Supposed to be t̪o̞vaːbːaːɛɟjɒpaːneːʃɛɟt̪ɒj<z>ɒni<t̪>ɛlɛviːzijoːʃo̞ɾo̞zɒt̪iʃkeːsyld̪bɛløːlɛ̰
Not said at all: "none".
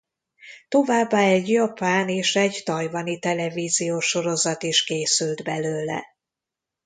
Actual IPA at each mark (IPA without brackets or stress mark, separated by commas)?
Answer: v, t̪